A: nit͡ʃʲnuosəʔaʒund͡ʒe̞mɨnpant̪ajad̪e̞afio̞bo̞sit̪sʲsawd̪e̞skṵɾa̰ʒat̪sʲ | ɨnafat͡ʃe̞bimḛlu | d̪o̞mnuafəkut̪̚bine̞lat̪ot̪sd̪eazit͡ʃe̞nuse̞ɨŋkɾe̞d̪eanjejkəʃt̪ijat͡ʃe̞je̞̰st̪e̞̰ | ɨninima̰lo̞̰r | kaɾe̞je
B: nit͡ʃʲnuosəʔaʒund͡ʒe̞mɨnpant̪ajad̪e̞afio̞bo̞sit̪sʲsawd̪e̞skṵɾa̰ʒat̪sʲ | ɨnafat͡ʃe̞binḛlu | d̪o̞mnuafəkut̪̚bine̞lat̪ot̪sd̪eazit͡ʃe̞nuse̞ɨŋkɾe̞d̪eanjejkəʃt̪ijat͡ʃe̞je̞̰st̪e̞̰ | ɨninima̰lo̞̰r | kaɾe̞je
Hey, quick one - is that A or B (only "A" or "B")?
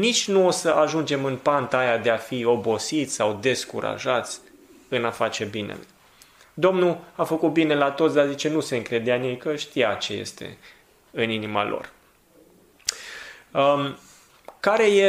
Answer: B